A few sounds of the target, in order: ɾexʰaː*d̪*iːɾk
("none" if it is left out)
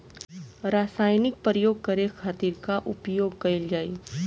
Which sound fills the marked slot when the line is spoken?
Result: t̪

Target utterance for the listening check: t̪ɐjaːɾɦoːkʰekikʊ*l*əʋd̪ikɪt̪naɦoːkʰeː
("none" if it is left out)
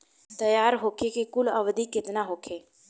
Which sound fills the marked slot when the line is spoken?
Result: l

